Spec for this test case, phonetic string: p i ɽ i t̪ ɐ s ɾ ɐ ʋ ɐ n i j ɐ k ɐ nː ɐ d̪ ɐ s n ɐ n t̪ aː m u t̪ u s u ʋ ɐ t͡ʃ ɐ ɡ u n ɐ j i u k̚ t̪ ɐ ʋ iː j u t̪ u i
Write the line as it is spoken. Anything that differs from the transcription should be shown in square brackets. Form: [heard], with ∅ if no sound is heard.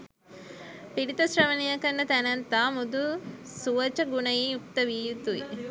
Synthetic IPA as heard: p i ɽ i t̪ ɐ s ɾ ɐ ʋ ɐ n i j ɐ k ɐ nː ɐ [t̪] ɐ [∅] n ɐ n t̪ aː m u [d̪] u s u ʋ ɐ t͡ʃ ɐ ɡ u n ɐ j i u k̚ t̪ ɐ ʋ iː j u t̪ u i